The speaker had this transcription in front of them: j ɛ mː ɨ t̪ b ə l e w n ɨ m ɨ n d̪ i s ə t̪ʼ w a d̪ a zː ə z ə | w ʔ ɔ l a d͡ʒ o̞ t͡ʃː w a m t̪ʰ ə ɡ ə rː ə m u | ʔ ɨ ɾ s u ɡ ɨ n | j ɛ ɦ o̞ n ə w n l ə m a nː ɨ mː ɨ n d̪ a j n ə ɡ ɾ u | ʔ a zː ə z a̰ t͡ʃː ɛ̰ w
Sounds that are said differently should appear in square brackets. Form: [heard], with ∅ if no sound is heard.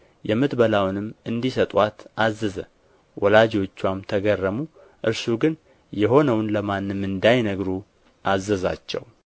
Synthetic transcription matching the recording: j ɛ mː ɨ t̪ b ə l [a] w n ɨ m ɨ n d̪ i s ə t̪ʼ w a [t̪] a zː ə z ə | w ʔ ɔ l a d͡ʒ o̞ t͡ʃː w a m t̪ʰ ə ɡ ə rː ə m u | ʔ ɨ ɾ s u ɡ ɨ n | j ɛ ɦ o̞ n ə w n l ə m a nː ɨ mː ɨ n d̪ a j n ə ɡ ɾ u | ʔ a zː ə z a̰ t͡ʃː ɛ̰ w